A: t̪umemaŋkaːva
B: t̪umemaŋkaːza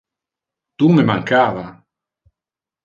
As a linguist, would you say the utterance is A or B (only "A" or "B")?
A